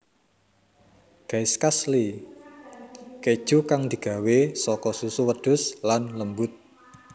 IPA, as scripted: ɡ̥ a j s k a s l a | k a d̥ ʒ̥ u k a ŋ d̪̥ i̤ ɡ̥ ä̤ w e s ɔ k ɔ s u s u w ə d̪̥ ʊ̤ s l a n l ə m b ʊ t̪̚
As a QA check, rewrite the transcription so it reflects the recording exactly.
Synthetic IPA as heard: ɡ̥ a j s k a s l i | k e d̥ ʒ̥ u k a ŋ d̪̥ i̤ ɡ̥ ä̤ w e s ɔ k ɔ s u s u w ə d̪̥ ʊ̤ s l a n l ə m b ʊ t̪̚

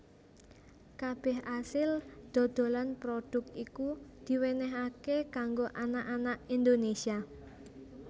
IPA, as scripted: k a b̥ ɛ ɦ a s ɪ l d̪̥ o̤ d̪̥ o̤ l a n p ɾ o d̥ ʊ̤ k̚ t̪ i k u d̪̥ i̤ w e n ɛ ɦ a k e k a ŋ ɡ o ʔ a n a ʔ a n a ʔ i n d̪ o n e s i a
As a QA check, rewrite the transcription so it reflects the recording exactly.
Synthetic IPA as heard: k a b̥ ɛ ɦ a s ɪ l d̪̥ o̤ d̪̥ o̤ l a n p ɾ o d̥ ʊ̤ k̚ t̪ i k u d̪̥ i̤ w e n ɛ ɦ a k e k a ŋ ɡ o ʔ a n a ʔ a n a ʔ i n d̪ o n e s i a

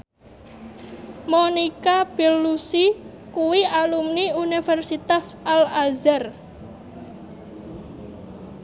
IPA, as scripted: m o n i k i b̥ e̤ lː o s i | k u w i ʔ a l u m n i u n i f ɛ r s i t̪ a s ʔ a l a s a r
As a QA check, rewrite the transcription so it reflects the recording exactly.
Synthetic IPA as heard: m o n i k a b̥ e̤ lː u s i | k u w i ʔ a l u m n i u n i f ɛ r s i t̪ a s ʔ a l a z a r

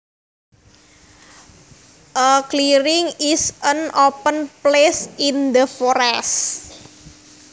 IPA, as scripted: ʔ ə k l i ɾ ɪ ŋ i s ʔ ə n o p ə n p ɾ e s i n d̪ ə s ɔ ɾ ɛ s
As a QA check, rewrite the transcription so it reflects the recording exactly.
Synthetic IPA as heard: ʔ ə k l i ɾ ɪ ŋ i s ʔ ə n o p ə n p l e s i n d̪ ə f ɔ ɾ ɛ s

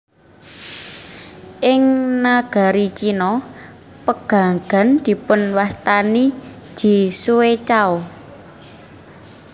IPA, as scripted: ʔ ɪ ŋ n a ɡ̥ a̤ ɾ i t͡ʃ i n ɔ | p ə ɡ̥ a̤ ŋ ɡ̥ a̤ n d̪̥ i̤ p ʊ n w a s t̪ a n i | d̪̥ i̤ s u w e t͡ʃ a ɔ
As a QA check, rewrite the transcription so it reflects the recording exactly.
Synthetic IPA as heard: ʔ ɪ ŋ n a ɡ̥ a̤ ɾ i t͡ʃ i n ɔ | p ə ɡ̥ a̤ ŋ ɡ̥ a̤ n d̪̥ i̤ p ʊ n w a s t̪ a n i | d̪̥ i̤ s u w e t͡ʃ a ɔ

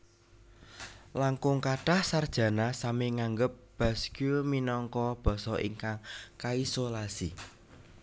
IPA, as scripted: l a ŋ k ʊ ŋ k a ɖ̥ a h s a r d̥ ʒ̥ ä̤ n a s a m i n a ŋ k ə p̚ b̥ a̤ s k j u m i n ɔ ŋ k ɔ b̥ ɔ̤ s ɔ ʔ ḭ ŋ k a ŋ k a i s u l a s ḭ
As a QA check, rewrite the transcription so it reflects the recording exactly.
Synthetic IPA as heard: l a ŋ k ʊ ŋ k a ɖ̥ a h s a r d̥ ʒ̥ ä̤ n a s a m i ŋ a ŋ ɡ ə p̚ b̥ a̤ s k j u m i n ɔ ŋ k ɔ b̥ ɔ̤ s ɔ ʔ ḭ ŋ k a ŋ k a i s o l a s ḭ

